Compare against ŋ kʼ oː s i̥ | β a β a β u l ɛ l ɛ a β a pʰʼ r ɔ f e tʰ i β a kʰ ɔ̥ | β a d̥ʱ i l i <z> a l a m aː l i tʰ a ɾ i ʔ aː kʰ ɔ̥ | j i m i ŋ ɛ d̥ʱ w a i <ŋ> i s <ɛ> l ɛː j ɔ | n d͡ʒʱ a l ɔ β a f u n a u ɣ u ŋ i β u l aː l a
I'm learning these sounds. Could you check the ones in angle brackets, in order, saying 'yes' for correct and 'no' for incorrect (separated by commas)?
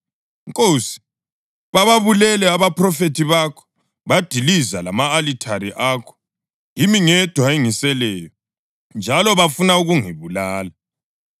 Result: yes, yes, yes